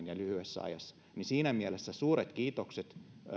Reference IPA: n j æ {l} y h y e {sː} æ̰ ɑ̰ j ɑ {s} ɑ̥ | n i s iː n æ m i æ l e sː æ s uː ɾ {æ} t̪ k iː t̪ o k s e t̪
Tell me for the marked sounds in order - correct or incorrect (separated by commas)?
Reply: correct, correct, incorrect, incorrect